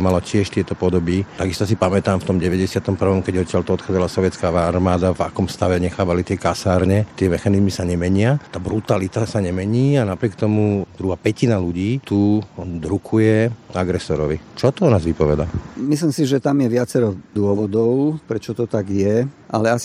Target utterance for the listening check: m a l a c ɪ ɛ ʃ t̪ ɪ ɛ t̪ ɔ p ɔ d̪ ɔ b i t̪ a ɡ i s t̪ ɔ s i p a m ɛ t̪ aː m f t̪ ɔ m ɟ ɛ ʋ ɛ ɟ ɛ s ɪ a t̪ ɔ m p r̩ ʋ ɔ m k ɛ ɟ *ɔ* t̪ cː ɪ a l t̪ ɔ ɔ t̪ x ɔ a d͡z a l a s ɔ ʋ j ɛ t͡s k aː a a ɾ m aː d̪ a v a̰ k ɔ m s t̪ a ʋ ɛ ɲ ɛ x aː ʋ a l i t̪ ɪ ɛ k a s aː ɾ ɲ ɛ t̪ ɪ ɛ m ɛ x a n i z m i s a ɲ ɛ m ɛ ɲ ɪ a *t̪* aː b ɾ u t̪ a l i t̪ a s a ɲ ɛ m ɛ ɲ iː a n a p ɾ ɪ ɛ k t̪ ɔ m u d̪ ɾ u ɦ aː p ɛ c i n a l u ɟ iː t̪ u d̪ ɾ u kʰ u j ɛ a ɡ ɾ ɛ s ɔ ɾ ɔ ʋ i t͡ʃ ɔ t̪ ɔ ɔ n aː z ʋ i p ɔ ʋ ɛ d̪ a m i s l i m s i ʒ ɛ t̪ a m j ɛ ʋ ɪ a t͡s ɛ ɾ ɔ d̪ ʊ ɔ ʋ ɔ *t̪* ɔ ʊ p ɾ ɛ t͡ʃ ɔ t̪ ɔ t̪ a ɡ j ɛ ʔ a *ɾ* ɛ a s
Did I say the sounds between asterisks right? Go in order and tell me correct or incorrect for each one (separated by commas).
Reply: correct, correct, incorrect, incorrect